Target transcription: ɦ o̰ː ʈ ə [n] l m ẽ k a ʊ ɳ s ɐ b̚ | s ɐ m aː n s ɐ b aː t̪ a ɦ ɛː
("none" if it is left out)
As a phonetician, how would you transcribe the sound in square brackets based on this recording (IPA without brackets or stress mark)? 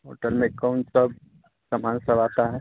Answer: none